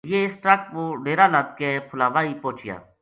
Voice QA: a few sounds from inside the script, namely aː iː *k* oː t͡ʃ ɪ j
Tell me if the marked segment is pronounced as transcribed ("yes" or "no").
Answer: no